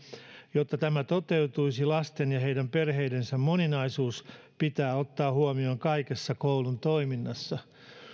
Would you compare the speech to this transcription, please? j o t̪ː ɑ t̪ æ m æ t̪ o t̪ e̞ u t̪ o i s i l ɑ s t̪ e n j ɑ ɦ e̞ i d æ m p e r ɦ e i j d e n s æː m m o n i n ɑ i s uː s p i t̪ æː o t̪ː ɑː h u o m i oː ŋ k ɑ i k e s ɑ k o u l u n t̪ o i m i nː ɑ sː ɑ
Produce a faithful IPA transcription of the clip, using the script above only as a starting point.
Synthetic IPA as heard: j o t̪ː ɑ t̪ æ m æ t̪ o t̪ e̞ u t̪ u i s i l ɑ s t̪ e n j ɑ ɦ e̞ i d æ m p e r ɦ e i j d e n s æ m m o n i n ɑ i s uː s p i t̪ æː o t̪ː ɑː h u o m i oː ŋ k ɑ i k e sː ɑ k o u l u n t̪ o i m i nː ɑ sː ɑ